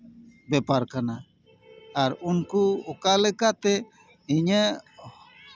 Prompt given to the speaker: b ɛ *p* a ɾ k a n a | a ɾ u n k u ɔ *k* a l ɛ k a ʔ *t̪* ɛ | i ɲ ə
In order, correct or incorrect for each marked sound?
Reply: correct, correct, correct

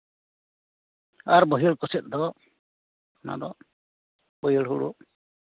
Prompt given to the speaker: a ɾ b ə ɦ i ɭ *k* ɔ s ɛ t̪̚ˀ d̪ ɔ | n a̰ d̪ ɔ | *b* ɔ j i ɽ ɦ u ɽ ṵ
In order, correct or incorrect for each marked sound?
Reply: correct, correct

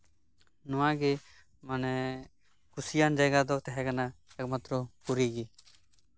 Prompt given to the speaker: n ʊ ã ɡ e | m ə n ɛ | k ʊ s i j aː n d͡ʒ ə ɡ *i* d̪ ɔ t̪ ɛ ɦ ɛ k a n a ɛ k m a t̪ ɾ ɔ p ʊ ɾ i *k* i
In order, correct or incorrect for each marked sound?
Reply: incorrect, incorrect

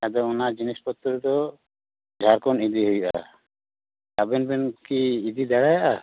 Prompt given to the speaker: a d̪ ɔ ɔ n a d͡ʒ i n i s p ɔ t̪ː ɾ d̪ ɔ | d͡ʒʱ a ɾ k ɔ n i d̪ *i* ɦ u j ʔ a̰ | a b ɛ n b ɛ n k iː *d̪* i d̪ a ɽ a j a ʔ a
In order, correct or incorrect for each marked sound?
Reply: correct, correct

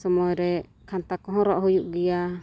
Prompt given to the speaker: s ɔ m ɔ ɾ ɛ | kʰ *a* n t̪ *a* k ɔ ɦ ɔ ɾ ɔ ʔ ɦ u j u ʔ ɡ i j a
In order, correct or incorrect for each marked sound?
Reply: correct, correct

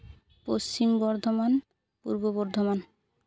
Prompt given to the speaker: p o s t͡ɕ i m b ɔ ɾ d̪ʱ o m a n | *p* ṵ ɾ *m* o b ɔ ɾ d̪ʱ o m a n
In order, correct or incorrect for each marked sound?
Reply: correct, incorrect

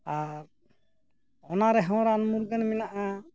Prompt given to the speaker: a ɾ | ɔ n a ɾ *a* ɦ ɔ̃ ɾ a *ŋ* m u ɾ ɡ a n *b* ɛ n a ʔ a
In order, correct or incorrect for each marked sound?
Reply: incorrect, incorrect, incorrect

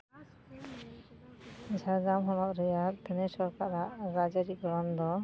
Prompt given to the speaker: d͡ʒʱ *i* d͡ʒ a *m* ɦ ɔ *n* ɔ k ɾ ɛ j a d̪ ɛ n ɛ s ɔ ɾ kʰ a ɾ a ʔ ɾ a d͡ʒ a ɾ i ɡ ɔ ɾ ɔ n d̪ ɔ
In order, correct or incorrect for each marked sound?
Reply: incorrect, correct, correct

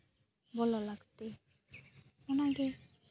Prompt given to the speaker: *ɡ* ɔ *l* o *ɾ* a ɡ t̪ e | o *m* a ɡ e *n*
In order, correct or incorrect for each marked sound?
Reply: incorrect, correct, incorrect, incorrect, incorrect

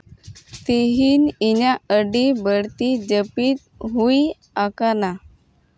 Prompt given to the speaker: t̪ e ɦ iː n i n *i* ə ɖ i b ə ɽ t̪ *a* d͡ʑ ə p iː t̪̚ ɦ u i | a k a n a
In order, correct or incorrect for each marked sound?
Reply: incorrect, incorrect

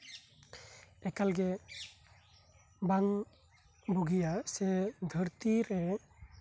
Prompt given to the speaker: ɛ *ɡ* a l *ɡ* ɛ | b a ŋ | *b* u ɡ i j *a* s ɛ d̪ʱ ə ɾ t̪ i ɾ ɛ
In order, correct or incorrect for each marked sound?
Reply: incorrect, correct, correct, correct

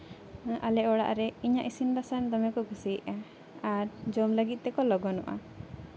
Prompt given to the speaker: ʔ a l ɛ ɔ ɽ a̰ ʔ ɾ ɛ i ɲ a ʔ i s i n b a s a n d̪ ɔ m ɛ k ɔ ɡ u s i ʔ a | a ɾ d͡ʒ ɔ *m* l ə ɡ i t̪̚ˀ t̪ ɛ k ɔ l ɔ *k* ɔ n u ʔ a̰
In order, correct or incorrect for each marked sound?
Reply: correct, incorrect

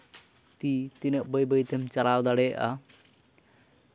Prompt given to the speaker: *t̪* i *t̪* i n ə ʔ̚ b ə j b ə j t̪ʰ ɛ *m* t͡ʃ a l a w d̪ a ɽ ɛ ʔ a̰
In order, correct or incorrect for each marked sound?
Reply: correct, correct, correct

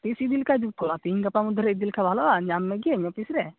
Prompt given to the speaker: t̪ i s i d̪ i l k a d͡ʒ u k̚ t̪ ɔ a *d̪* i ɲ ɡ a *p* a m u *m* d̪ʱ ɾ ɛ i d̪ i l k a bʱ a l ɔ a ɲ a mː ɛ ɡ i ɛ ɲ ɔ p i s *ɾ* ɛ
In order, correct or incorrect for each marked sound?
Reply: incorrect, correct, incorrect, correct

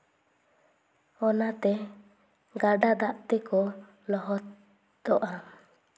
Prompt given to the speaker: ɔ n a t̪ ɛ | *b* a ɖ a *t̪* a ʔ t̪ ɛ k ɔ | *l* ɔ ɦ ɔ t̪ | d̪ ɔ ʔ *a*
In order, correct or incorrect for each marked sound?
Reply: incorrect, incorrect, correct, correct

